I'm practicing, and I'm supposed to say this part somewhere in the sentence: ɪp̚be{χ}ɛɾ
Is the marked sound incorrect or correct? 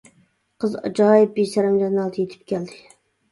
incorrect